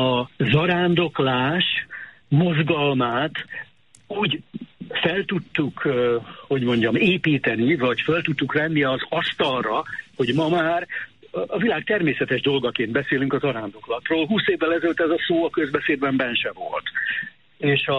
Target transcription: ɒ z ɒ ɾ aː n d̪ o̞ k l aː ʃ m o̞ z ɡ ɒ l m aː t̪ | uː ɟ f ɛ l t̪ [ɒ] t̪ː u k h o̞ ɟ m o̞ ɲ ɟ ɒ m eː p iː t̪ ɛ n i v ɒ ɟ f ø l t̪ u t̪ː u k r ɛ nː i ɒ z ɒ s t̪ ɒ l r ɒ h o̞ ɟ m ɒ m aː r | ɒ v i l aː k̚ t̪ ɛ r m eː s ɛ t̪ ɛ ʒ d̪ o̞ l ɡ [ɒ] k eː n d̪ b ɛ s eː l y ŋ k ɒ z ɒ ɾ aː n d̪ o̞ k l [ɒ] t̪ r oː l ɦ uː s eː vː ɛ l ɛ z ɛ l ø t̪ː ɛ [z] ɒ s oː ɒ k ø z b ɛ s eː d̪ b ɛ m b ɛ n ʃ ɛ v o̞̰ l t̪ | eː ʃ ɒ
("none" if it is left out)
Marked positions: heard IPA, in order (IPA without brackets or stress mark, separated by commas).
u, ɒ, ɒ, z